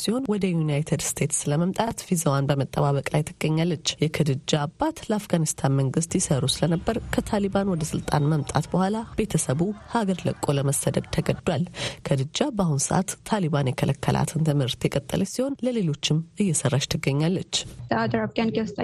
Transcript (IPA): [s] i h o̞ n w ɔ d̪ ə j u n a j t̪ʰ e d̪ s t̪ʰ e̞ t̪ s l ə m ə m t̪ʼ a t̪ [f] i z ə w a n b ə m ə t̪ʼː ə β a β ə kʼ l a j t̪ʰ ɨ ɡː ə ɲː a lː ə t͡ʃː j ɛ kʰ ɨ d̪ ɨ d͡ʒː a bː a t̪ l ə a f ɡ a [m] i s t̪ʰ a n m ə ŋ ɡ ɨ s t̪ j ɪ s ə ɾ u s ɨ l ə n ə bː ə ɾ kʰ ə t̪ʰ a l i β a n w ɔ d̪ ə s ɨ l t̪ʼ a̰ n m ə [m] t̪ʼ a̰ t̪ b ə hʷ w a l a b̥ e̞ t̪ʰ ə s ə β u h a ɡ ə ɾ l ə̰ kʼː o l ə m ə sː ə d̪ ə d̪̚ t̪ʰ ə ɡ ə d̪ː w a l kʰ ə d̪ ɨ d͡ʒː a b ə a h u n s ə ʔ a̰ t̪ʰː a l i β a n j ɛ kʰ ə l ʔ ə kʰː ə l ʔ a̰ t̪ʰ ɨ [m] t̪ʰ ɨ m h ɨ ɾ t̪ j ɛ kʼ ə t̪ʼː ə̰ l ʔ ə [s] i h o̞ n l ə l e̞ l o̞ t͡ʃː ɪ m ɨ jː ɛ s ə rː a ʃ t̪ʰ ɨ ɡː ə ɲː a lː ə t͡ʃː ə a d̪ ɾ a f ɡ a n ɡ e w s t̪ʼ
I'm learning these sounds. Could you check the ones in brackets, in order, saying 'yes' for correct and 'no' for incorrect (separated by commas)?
yes, yes, no, yes, no, yes